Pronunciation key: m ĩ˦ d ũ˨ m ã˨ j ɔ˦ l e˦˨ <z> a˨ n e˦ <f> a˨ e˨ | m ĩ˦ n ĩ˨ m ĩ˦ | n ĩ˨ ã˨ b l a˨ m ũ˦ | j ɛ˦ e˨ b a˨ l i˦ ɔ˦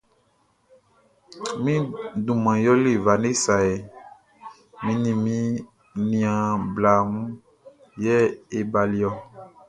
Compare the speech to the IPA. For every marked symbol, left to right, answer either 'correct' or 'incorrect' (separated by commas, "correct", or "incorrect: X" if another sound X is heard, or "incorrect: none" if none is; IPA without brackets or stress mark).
incorrect: v, incorrect: s